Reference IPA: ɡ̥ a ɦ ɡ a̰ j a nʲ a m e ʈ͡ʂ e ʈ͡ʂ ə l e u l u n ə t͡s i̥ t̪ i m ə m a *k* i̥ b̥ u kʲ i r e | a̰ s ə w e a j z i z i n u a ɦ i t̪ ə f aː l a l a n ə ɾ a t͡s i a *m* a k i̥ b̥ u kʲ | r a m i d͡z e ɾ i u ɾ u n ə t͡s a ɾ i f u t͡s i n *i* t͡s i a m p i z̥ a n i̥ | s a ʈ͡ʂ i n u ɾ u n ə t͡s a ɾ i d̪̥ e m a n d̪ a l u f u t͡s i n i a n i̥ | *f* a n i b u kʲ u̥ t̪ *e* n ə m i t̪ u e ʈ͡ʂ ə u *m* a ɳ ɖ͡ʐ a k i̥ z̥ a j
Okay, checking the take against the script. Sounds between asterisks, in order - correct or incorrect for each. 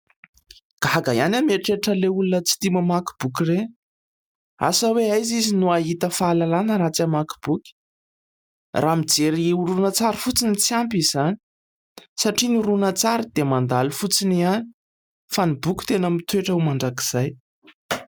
correct, correct, correct, correct, correct, correct

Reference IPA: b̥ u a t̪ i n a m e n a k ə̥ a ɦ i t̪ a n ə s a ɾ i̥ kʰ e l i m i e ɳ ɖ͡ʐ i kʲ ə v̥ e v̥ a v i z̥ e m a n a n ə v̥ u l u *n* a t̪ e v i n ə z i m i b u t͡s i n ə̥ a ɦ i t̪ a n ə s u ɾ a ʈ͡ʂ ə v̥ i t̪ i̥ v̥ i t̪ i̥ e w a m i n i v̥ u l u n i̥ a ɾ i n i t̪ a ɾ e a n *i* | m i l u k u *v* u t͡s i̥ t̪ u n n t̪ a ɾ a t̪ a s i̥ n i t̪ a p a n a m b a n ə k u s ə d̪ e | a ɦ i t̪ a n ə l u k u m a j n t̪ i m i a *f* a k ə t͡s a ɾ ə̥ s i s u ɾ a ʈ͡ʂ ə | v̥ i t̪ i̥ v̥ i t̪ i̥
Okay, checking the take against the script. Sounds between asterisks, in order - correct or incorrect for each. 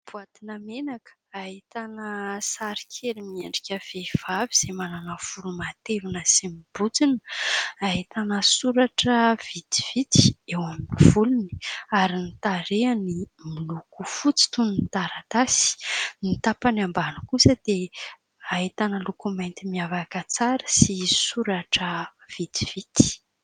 incorrect: m, correct, incorrect: f, incorrect: v

